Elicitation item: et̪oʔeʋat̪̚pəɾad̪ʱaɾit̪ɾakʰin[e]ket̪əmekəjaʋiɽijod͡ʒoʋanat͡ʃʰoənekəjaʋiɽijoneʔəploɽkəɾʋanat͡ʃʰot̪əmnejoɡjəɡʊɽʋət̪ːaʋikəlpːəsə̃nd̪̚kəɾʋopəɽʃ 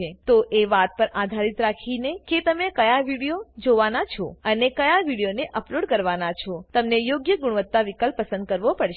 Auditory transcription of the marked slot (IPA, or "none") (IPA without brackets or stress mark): e